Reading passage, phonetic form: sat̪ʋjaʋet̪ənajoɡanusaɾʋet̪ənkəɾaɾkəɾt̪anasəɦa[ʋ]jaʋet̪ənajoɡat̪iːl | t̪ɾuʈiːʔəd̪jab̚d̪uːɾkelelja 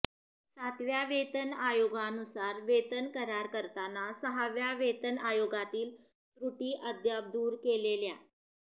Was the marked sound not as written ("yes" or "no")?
no